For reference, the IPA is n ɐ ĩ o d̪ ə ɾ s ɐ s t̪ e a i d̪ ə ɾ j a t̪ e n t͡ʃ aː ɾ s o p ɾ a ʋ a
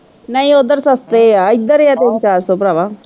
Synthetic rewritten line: n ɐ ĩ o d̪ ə ɾ s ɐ s t̪ e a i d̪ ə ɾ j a t̪ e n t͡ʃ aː ɾ s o p ɾ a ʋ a